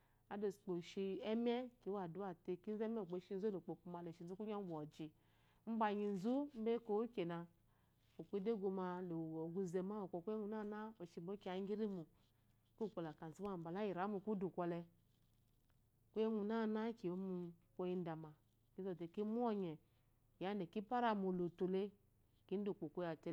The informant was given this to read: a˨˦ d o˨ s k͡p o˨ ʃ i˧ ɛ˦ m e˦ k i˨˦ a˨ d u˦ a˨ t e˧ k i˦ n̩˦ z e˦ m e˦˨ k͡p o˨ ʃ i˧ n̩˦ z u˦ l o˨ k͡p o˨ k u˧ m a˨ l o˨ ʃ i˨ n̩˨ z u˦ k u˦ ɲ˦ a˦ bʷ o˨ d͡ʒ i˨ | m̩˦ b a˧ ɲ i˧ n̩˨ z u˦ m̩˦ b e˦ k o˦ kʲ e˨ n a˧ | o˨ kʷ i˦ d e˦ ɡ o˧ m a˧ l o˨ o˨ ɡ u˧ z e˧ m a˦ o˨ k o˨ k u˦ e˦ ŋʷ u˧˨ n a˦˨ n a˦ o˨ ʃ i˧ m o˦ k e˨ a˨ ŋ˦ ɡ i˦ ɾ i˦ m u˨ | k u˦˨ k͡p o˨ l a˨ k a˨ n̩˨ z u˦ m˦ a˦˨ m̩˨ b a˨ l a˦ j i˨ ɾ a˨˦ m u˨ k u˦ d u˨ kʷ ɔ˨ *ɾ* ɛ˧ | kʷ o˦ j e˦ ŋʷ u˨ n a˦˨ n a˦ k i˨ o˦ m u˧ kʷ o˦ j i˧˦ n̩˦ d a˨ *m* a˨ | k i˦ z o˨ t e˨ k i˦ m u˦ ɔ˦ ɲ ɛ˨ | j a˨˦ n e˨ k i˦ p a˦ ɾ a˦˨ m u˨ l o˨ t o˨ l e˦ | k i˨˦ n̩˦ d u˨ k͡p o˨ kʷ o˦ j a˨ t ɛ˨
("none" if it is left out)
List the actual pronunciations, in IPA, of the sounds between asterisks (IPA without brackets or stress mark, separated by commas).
l, m